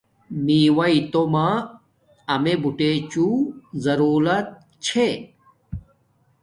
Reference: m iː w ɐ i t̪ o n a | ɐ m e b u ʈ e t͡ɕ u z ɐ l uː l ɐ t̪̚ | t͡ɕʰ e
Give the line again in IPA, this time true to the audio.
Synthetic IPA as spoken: m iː w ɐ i t̪ o m a | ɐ m e b u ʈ e t͡ɕ u z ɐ ɾ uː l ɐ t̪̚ | t͡ɕʰ e